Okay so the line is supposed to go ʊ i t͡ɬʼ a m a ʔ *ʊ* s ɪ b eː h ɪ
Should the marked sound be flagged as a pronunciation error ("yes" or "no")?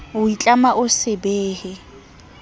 no